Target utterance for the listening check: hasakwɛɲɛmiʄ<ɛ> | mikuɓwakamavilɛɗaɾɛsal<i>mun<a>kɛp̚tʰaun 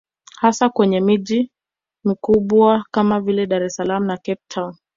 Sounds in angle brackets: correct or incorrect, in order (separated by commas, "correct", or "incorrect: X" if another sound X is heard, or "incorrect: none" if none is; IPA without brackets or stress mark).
incorrect: i, incorrect: a, correct